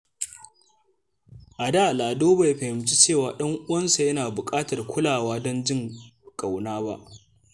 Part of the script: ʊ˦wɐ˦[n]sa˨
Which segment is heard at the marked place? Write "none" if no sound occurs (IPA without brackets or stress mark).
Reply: n